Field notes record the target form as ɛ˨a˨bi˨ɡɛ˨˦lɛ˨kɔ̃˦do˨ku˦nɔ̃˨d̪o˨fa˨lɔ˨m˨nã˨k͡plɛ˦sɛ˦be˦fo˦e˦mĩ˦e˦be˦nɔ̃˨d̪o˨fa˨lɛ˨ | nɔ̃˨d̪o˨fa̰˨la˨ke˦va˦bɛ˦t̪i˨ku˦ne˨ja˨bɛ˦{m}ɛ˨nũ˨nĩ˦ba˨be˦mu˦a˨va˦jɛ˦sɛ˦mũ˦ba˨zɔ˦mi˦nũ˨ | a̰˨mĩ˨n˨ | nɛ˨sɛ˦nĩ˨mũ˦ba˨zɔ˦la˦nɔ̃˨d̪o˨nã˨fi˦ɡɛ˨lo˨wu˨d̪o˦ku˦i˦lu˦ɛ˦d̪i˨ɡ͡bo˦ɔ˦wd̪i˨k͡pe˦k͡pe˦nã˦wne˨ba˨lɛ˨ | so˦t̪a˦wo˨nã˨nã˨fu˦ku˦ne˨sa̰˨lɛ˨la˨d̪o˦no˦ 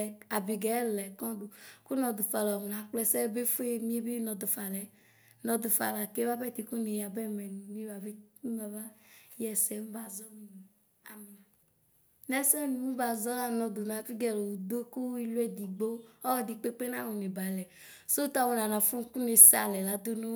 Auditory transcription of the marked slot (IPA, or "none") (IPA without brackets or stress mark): m